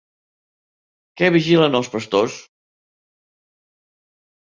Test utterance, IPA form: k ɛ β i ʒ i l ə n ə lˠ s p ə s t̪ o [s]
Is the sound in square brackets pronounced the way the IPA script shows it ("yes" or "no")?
yes